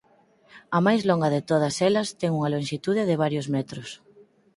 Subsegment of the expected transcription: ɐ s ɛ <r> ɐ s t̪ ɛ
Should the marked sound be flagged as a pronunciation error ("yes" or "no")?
yes